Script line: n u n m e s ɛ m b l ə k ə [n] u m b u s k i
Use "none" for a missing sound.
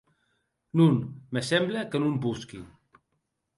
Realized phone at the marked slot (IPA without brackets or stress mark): n